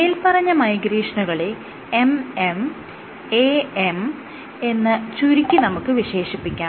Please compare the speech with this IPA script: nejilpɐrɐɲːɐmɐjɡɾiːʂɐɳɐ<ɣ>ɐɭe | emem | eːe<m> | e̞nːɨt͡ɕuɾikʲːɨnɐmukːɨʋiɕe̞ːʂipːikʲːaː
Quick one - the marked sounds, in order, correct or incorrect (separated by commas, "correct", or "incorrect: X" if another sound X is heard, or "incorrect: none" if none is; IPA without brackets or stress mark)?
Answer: correct, correct